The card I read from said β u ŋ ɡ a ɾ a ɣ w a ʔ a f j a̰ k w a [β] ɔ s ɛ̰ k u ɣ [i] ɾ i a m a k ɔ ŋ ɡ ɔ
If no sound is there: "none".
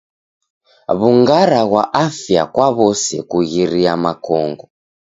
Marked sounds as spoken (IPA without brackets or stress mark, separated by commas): β, i